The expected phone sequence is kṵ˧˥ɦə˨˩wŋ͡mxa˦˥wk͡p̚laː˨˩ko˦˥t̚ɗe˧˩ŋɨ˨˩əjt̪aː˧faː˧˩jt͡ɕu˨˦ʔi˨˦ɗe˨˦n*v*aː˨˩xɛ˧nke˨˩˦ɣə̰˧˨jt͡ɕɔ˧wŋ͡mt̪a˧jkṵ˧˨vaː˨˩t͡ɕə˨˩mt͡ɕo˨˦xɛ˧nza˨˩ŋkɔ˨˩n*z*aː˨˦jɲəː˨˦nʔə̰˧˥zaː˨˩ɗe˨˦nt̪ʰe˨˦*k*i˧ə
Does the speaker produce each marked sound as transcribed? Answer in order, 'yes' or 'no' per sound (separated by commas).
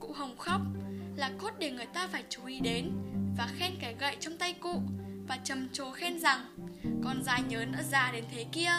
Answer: yes, yes, yes